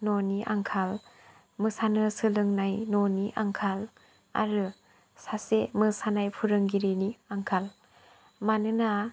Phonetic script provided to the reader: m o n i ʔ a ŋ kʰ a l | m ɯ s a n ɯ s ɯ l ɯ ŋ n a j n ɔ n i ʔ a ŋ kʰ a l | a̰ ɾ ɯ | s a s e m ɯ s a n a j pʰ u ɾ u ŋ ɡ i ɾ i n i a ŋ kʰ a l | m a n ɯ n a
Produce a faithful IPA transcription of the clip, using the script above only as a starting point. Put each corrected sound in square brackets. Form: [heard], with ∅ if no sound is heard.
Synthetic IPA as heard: [n] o n i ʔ a ŋ kʰ a l | m ɯ s a n ɯ s ɯ l ɯ ŋ n a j n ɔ n i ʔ a ŋ kʰ a l | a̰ ɾ ɯ | s a s e m ɯ s a n a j pʰ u ɾ [ɯ] ŋ ɡ i ɾ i n i a ŋ kʰ a l | m a n ɯ n a